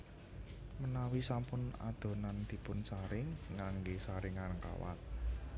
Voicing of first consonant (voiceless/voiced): voiced